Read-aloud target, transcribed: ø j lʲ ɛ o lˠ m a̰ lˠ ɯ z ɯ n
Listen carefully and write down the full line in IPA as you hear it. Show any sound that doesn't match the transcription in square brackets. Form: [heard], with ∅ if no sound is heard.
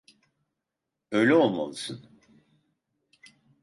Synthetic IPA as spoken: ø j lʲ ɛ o lˠ m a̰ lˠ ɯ [s] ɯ n